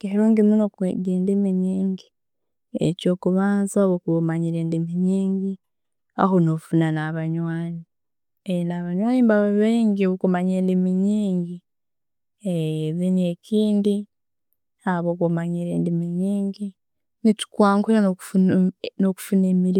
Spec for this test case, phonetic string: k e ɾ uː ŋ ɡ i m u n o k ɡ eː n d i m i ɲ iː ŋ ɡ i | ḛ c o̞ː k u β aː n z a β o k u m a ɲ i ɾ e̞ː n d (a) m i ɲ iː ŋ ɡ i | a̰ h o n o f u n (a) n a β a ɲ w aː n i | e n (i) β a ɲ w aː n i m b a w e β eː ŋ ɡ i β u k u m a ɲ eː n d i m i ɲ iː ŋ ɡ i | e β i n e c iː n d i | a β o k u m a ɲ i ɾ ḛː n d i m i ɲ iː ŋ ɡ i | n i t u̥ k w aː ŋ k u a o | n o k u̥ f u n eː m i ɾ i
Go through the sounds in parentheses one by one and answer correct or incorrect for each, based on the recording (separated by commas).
incorrect, correct, incorrect